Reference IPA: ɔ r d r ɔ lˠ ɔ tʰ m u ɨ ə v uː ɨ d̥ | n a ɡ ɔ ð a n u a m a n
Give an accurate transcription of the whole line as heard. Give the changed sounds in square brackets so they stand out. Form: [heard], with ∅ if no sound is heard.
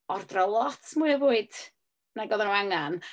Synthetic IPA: ɔ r d r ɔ lˠ ɔ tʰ m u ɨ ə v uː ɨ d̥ | n a ɡ ɔ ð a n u a [ŋ] a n